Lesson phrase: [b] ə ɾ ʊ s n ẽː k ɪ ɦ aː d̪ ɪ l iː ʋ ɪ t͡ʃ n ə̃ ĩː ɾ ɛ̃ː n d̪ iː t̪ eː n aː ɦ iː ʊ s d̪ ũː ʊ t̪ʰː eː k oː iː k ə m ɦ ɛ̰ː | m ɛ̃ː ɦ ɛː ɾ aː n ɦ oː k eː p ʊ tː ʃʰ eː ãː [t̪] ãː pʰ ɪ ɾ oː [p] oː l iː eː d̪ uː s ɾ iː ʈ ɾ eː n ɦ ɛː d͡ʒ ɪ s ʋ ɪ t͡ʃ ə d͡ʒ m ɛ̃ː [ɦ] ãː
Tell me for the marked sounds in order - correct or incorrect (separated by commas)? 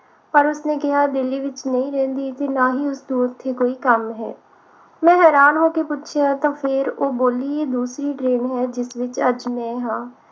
incorrect, correct, incorrect, correct